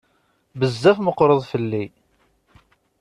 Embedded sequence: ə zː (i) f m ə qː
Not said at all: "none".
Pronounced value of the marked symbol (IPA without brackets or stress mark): æ